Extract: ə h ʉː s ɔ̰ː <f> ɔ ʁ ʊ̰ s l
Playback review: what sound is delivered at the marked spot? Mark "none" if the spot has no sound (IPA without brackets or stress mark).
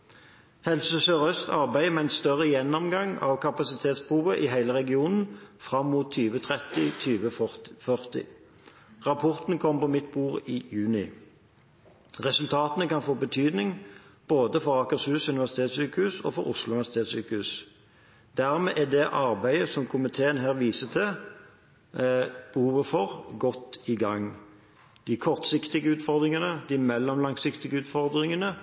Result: f